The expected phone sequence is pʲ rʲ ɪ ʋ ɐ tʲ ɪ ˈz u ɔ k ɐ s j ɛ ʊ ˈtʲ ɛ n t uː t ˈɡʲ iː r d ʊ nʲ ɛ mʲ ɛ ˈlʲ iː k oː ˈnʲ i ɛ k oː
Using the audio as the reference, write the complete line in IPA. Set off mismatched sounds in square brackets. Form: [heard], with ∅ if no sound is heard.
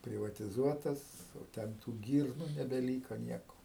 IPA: pʲ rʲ ɪ ʋ ɐ tʲ ɪ ˈz u ɔ [t] ɐ s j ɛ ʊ ˈtʲ ɛ n t uː [∅] ˈɡʲ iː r [n] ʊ nʲ ɛ [bʲ] ɛ ˈlʲ iː k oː ˈnʲ i ɛ k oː